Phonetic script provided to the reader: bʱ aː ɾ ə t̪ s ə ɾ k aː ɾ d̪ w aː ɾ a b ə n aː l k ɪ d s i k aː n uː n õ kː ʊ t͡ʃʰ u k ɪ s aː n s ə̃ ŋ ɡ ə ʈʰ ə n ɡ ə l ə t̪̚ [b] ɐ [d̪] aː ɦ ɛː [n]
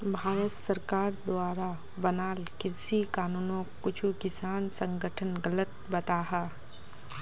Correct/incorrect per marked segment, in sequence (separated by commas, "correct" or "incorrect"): correct, incorrect, incorrect